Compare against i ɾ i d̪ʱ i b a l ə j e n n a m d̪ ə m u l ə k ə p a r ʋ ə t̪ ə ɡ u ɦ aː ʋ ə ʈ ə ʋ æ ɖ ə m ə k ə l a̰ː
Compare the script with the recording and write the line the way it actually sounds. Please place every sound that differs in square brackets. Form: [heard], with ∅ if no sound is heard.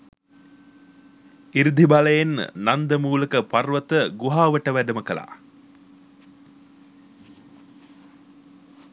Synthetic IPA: i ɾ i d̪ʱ i b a l ə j e n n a [n] d̪ ə m [uː] l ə k ə p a r ʋ ə t̪ ə ɡ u ɦ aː ʋ ə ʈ ə ʋ æ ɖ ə m ə k ə l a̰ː